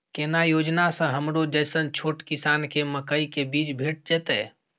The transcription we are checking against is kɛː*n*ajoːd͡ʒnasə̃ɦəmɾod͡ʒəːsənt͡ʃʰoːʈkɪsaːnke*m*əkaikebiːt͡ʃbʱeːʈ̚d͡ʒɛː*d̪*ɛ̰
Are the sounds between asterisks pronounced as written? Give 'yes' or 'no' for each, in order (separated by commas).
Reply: yes, yes, no